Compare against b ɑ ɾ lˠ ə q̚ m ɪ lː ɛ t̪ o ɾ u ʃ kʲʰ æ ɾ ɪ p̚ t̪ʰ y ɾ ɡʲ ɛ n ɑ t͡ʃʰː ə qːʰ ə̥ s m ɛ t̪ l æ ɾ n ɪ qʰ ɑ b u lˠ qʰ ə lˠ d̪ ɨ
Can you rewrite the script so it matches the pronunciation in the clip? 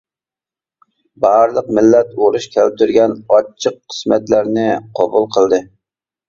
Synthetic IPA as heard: b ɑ ɾ lˠ ə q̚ m ɪ lː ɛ t̪ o ɾ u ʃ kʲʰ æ l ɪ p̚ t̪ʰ y ɾ ɡʲ ɛ n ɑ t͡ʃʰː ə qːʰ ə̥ s m ɛ t̪ l æ ɾ n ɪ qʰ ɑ b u lˠ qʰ ə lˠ d̪ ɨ